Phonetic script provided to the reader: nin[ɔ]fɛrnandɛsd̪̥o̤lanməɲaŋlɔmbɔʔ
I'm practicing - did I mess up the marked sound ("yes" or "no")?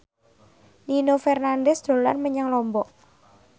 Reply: yes